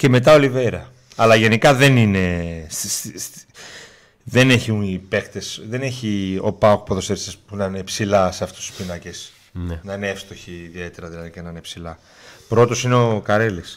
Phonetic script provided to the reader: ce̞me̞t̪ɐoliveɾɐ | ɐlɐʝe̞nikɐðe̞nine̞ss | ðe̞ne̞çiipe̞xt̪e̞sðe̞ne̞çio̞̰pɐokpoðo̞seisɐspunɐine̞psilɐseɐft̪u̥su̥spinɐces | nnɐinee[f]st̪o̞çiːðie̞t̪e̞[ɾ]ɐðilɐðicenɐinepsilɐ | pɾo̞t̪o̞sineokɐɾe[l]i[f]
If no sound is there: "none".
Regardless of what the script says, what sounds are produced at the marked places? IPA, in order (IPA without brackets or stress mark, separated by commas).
f, ɾ, l, s